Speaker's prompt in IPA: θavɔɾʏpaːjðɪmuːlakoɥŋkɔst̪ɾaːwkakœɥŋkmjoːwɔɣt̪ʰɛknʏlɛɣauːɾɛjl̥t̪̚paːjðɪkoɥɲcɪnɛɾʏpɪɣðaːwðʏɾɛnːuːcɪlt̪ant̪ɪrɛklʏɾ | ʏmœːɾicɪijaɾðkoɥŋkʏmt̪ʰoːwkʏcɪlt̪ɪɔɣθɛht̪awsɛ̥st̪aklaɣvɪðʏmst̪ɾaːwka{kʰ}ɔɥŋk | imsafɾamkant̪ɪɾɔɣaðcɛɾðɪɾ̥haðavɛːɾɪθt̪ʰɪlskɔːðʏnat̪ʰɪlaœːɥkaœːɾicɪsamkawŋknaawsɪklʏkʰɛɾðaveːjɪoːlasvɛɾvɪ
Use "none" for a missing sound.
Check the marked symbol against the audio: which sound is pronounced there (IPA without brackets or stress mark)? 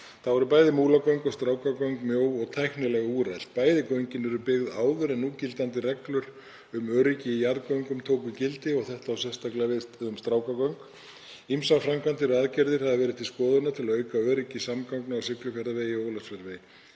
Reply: k